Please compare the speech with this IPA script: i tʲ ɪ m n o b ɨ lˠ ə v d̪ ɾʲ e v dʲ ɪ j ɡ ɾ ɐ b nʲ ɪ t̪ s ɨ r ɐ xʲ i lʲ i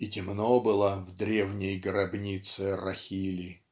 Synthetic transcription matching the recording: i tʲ ɪ m n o b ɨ lˠ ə v d̪ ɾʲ e v nʲ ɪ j ɡ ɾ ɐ b nʲ i t̪ s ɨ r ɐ xʲ i lʲ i